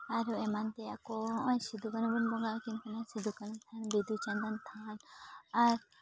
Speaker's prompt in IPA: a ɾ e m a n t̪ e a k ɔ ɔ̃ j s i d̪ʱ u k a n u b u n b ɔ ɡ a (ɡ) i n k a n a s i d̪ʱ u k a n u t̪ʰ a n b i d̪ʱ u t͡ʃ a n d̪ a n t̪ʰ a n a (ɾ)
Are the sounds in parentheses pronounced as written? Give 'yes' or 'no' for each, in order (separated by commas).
no, yes